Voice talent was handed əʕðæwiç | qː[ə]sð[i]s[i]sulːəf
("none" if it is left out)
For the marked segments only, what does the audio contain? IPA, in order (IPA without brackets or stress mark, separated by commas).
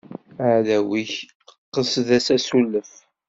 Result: ə, æ, æ